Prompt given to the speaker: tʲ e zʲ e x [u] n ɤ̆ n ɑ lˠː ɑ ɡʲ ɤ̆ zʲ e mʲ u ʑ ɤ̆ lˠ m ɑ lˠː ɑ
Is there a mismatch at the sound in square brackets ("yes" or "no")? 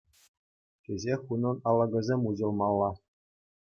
no